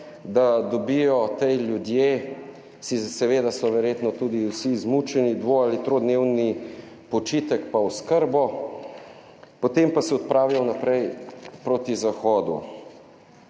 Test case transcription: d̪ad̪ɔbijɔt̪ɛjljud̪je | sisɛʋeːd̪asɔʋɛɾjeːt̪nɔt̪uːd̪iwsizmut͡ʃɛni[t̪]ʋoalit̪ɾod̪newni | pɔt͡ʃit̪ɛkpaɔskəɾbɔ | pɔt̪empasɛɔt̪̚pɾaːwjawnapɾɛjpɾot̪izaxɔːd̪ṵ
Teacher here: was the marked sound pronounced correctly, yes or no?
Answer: no